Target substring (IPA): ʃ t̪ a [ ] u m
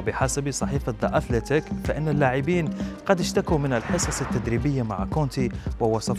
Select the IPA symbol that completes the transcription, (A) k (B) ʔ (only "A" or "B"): A